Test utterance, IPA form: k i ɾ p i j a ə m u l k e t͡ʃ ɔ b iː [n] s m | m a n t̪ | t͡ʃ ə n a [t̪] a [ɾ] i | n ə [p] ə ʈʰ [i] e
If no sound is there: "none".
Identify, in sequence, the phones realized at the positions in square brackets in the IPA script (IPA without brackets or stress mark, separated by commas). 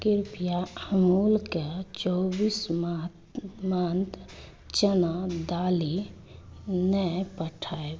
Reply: none, d̪, l, p, a